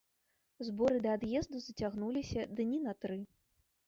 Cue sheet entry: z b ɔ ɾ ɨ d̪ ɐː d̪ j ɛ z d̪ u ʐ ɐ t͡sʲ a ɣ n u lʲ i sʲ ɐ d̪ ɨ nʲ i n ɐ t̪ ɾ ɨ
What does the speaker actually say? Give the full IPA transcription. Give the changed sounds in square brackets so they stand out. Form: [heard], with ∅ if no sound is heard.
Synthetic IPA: z b ɔ ɾ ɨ d̪ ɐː d̪ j ɛ z d̪ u [z] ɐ t͡sʲ a ɣ n u lʲ i sʲ ɐ d̪ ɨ nʲ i n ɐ t̪ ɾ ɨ